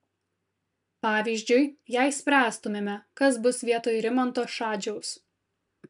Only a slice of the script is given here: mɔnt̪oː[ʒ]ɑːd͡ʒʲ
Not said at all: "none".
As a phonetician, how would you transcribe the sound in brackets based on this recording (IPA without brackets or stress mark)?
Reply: ʃ